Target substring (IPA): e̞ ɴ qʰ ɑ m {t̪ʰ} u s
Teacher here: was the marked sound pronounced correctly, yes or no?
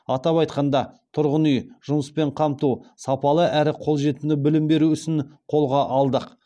no